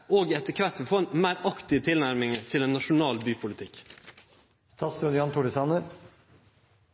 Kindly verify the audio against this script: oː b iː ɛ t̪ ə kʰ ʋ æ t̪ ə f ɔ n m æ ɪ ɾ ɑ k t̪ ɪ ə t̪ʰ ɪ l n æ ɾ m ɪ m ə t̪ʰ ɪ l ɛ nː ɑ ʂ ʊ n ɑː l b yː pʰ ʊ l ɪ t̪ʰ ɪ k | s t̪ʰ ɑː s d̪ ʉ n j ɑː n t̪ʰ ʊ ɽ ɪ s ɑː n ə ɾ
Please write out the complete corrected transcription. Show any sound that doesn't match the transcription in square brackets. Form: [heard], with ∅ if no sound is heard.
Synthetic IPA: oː [ɡ] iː ɛ t̪ ə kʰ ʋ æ t̪ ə f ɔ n m æ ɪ ɾ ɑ k t̪ ɪ ə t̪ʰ ɪ l n æ ɾ m ɪ [ŋ] ə t̪ʰ ɪ l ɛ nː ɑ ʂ ʊ n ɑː l b yː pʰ ʊ l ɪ t̪ʰ ɪ k | s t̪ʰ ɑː s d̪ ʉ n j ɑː n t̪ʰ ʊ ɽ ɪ s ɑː n ə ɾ